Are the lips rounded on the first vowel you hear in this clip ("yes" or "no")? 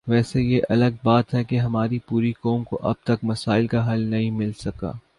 no